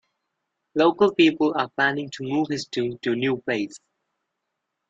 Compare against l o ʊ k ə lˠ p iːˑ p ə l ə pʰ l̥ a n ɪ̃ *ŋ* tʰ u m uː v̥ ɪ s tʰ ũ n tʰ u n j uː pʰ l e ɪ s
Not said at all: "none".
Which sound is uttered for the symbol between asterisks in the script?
ŋ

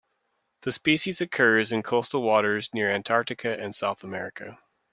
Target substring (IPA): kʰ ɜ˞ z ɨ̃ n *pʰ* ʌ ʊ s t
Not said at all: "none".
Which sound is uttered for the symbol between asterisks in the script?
kʰ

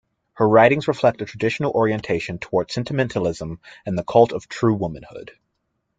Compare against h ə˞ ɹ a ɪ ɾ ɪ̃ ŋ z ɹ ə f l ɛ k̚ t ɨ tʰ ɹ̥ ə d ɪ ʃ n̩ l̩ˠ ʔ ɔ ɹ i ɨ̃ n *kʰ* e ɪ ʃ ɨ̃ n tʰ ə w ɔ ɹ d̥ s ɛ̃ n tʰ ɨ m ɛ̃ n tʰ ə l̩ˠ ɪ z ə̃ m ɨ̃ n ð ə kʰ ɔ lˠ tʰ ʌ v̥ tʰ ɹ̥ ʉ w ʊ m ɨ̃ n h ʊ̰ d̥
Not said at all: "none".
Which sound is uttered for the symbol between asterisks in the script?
tʰ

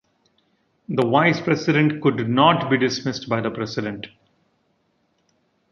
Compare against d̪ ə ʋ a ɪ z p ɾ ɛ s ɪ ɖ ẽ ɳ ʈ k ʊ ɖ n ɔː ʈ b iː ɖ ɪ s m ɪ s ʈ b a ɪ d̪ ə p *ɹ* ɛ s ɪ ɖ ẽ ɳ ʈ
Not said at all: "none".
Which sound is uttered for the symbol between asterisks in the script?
ɾ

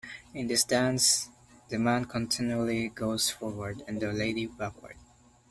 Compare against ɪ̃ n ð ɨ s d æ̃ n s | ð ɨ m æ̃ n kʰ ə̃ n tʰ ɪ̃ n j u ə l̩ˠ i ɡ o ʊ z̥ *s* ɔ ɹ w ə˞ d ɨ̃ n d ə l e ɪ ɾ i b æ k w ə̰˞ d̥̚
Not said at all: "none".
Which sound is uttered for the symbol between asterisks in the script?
f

